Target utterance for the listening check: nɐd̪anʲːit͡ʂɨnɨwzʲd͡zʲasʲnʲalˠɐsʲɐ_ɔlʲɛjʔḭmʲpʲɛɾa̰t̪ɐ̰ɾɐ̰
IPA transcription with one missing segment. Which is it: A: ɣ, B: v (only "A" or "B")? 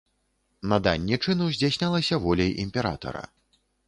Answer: B